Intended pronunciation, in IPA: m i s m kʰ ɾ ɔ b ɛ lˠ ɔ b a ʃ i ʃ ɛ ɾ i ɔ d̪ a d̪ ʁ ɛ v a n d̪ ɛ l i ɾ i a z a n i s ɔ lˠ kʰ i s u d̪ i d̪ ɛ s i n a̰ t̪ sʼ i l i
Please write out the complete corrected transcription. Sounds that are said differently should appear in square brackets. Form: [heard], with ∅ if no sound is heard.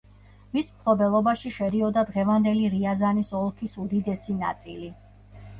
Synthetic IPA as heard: m i s m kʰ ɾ ɔ b ɛ lˠ ɔ b a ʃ i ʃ ɛ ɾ i ɔ d̪ a d̪ ʁ ɛ v a n d̪ ɛ l i ɾ i a z a n i s ɔ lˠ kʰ i s u d̪ i d̪ ɛ s i n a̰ t̪ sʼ i l i